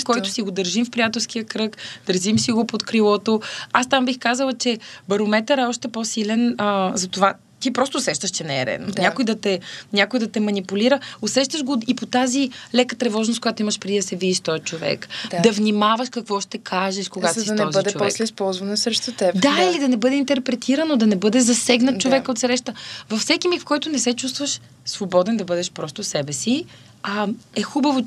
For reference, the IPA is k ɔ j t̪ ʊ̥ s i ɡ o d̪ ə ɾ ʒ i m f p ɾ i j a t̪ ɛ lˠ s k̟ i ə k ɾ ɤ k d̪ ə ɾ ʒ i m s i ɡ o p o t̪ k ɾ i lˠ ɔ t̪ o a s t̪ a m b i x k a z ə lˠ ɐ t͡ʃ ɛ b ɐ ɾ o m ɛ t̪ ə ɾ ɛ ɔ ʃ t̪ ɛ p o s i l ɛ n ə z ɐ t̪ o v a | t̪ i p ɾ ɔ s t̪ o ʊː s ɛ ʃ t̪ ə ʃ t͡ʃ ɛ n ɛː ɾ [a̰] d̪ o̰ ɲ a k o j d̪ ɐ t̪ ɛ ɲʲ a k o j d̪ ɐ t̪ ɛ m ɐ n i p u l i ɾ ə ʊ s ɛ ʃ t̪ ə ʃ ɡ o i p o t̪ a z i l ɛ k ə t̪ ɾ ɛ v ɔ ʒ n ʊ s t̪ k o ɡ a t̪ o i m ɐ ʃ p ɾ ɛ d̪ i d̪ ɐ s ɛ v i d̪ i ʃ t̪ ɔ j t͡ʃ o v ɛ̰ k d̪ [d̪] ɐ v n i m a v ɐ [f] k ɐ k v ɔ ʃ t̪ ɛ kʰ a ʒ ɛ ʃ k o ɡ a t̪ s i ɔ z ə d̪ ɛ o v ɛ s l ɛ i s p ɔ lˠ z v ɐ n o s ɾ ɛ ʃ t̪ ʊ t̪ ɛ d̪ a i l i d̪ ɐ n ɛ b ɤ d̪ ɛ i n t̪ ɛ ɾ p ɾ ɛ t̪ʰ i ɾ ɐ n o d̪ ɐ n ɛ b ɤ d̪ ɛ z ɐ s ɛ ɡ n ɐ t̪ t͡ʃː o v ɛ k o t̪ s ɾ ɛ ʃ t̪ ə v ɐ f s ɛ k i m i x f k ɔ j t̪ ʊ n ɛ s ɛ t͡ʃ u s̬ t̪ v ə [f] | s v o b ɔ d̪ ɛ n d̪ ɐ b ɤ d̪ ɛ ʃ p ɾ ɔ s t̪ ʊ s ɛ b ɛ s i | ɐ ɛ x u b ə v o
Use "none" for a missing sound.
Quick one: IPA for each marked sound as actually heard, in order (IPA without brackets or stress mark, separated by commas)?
ɛ̰, d̪, ʃ, ʃ